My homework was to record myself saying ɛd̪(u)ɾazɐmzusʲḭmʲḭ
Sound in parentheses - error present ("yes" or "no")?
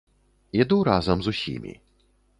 no